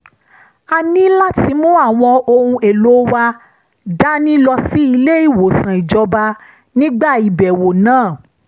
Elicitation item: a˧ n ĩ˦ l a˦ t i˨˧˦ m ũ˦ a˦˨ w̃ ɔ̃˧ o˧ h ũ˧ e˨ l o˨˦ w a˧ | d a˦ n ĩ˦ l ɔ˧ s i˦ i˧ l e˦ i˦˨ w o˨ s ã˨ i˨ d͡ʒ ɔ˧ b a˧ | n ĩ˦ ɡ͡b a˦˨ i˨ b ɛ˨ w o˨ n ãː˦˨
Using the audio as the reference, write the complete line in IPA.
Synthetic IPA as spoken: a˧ n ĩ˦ l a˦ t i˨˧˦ m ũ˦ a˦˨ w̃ ɔ̃˧ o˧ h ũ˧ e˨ l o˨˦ w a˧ | d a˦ n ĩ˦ l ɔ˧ s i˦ i˧ l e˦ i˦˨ w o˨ s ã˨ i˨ d͡ʒ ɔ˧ b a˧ | n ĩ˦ ɡ͡b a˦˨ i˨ b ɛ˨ w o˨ n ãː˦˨